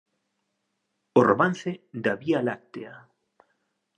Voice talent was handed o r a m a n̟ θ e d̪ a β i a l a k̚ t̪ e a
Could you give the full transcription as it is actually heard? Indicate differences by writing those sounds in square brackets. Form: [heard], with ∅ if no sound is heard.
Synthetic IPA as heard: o r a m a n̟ θ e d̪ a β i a l a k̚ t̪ e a